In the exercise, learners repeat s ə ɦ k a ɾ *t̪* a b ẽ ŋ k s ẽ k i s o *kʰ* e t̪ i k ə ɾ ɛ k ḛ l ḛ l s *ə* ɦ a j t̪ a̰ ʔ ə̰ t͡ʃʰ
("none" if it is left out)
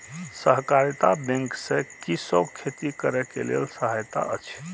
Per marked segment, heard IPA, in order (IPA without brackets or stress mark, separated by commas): t̪, kʰ, ə